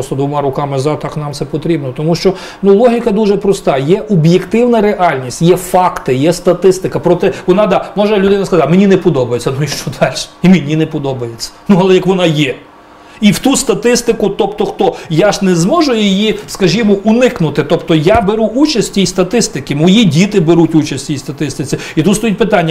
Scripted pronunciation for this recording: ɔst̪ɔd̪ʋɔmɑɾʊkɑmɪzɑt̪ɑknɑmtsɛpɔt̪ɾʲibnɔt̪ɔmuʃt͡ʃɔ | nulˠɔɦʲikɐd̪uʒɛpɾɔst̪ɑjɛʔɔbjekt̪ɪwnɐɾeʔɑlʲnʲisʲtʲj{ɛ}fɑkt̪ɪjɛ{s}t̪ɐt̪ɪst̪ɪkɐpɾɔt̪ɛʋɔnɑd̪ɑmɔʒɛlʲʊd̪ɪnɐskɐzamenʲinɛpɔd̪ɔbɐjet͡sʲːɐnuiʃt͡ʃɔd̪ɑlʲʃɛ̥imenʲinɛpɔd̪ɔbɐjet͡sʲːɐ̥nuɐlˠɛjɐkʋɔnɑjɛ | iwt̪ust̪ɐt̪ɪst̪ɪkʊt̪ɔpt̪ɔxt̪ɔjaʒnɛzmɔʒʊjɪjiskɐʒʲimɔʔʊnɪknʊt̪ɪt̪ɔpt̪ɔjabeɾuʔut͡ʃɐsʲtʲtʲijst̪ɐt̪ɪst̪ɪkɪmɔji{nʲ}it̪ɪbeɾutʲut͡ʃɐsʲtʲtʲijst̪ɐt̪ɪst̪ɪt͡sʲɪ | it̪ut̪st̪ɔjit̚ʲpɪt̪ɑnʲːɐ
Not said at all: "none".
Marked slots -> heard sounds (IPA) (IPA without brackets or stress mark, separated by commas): ɛ, s, dʲ